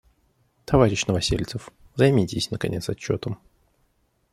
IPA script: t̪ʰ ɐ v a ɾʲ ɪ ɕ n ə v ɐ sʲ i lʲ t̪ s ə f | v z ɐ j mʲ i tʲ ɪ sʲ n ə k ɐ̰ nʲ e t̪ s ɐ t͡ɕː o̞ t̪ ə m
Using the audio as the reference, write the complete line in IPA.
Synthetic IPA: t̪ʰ ɐ v a ɾʲ ɪ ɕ n ə v ɐ sʲ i lʲ t̪ s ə f | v z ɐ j mʲ i tʲ ɪ sʲ n ə k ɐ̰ nʲ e t̪ s ɐ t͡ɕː o̞ t̪ ə m